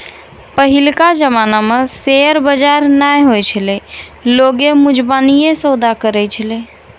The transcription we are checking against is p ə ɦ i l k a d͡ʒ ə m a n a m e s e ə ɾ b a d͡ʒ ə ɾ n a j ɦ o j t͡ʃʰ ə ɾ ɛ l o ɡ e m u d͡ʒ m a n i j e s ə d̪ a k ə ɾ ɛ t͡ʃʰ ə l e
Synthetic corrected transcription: p ə ɦ i l k a d͡ʒ ə m a n a m e s e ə ɾ b ə d͡ʒ a ɾ n a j ɦ o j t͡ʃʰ ə l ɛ l o ɡ e m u d͡ʒ b a n i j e s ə d̪ a k ə ɾ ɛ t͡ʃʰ ə l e